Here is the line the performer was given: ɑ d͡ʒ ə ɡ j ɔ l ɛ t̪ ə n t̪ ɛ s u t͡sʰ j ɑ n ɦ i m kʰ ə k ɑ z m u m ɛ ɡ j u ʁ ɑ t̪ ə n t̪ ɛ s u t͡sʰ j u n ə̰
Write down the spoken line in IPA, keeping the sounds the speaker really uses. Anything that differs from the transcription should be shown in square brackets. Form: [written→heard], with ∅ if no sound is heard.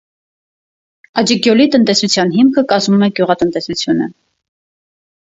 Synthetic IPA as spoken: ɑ d͡ʒ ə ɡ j ɔ l [ɛ→i] t̪ ə n t̪ ɛ s u t͡sʰ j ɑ n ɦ i m kʰ ə k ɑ z m u m ɛ ɡ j u ʁ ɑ t̪ ə n t̪ ɛ s u t͡sʰ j u n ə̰